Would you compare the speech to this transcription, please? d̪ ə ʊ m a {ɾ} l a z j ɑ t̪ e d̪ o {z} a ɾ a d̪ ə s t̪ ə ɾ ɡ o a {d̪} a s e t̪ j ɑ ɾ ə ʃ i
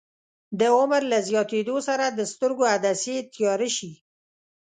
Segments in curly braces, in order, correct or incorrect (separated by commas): correct, incorrect, correct